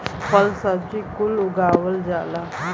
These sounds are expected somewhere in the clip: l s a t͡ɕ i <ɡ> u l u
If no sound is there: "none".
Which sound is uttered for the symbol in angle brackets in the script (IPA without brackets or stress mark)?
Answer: k